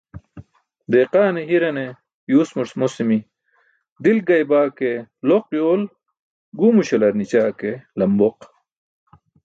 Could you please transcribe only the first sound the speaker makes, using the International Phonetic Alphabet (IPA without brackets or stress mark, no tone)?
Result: d̪